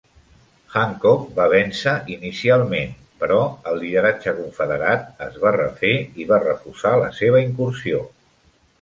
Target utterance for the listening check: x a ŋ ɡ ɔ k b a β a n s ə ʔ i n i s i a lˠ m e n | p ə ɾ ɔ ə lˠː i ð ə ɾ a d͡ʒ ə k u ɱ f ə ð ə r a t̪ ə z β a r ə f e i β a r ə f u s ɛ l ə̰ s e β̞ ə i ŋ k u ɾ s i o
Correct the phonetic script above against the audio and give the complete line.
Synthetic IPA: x a ŋ k ɔ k b a β ɛ n s ə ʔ i n i s i a lˠ m e n | p ə ɾ ɔ ə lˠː i ð ə ɾ a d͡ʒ ə k u ɱ f ə ð ə ɾ a t̪ ə z β a r ə f e i β a r ə f u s a l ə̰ s e β̞ ə i ŋ k u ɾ s i o